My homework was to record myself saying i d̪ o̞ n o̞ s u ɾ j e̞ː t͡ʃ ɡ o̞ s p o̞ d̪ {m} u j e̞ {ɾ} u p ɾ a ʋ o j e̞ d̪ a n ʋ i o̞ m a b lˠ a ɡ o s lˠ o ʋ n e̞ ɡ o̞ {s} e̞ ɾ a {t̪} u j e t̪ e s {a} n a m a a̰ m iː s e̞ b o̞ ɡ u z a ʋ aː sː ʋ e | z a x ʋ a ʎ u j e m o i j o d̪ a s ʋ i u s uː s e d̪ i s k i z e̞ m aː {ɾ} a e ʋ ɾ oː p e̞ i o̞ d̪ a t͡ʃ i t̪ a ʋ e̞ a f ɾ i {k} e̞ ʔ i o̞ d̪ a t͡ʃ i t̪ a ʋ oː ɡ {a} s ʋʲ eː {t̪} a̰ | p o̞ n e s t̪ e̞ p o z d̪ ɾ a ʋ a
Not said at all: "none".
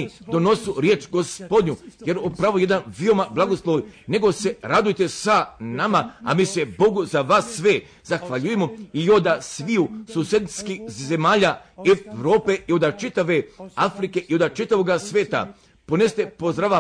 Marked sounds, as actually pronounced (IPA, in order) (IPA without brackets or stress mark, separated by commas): ɲ, ɾ, s, d̪, a, ʎ, k, a, t̪